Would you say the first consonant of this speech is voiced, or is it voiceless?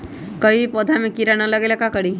voiceless